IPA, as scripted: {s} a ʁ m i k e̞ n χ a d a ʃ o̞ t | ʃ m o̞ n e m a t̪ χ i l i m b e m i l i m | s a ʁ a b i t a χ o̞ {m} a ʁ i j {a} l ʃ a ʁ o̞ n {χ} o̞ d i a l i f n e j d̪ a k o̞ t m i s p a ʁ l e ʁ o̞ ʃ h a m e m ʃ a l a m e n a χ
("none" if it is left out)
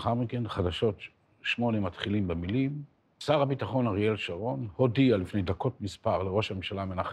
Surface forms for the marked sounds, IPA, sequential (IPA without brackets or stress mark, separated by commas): χ, n, e, h